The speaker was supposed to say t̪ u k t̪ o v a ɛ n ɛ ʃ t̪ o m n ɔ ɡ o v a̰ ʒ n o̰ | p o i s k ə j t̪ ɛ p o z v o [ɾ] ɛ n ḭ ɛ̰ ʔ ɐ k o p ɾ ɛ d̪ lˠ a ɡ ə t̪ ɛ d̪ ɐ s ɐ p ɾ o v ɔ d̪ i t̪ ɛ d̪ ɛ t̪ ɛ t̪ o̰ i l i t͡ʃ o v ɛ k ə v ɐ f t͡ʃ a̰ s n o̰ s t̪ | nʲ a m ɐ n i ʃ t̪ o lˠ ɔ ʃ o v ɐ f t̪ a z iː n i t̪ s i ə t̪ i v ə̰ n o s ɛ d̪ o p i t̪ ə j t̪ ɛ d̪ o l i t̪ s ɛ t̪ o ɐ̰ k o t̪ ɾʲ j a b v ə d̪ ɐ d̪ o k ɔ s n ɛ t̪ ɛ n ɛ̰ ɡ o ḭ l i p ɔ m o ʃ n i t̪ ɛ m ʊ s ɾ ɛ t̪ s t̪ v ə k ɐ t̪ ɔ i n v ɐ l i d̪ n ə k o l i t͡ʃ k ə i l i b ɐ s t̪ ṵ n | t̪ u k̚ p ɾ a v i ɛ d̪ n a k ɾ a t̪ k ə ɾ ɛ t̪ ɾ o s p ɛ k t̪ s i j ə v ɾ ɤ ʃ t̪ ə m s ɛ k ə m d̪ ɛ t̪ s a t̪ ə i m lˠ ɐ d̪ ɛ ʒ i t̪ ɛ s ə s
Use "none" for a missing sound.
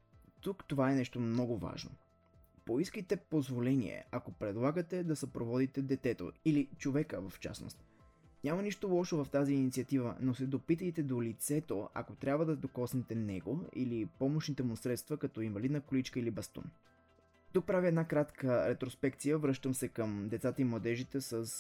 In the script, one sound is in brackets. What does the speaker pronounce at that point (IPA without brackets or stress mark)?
l